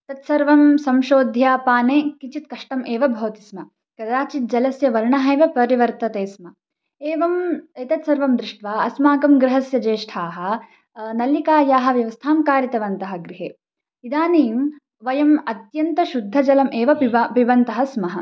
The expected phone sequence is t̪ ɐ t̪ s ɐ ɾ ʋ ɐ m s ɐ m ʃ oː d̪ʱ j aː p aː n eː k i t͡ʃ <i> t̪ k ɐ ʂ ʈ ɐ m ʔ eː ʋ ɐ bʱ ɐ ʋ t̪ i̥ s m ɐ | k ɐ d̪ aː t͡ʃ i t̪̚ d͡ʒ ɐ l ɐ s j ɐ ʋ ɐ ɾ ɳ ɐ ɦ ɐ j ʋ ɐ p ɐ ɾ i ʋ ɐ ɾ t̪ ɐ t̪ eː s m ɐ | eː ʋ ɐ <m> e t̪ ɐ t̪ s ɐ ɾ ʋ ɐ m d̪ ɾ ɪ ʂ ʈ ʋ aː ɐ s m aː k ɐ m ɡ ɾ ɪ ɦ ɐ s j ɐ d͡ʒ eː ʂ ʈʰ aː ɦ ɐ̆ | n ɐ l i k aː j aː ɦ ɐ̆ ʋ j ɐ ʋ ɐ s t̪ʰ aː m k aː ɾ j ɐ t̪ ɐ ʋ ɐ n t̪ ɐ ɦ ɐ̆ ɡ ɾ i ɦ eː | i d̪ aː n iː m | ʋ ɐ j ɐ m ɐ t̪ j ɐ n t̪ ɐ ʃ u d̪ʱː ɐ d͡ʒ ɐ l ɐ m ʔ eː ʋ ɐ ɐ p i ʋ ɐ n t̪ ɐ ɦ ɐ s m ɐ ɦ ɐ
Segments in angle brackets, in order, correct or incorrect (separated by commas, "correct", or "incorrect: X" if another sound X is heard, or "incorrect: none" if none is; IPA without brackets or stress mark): correct, correct